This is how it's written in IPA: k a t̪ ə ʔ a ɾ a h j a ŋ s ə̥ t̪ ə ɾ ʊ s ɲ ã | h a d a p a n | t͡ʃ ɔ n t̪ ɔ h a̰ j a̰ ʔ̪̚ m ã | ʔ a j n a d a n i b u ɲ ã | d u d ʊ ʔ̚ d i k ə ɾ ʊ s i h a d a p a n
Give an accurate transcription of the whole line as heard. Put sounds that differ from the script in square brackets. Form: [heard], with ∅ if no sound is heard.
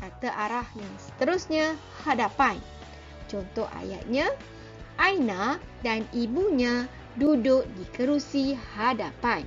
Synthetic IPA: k a t̪ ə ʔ a ɾ a h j a ŋ s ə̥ t̪ ə ɾ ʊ s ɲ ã | h a d a p a n | t͡ʃ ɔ n t̪ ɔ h a̰ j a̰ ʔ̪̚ [ɲ] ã | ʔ a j n a d a n i b u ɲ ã | d u d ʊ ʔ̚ d i k ə ɾ [u] s i h a d a p a n